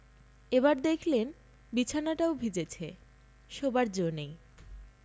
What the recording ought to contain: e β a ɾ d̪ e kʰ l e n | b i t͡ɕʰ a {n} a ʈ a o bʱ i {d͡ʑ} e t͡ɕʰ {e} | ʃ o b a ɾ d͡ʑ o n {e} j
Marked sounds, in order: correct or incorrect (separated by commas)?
correct, correct, correct, correct